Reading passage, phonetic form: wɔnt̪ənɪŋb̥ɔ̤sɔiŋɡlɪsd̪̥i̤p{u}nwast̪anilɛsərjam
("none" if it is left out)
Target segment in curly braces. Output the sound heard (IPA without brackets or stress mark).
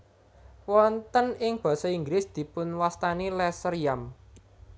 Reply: ʊ